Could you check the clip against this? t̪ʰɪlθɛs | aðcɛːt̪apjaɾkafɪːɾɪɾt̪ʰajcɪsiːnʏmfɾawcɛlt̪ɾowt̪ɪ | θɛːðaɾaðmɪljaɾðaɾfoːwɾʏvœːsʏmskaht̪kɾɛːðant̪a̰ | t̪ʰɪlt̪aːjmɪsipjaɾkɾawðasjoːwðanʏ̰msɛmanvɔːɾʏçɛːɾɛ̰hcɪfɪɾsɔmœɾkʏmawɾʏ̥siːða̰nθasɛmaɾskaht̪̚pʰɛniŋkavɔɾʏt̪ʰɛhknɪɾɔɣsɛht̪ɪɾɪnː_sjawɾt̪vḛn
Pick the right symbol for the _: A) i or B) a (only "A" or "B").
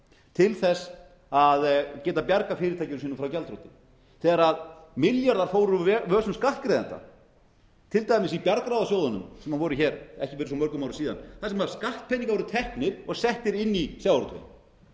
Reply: A